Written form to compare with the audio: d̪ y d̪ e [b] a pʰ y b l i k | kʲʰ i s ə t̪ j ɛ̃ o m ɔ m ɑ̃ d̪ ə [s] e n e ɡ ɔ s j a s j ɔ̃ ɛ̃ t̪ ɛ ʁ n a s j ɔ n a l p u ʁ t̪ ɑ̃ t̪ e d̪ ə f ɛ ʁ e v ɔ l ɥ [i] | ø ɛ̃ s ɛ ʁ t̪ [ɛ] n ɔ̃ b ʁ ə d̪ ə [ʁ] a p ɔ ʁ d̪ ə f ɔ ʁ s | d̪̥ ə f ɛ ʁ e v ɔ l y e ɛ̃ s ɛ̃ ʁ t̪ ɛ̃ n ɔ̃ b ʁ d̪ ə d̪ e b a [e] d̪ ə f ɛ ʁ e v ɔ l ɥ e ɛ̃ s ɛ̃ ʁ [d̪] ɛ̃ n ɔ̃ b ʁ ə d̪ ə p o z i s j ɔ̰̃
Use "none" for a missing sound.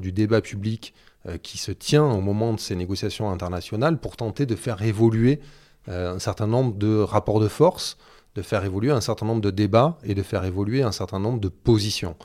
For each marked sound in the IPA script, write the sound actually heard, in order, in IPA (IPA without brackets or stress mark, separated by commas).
b, s, e, ɛ̃, ʁ, e, t̪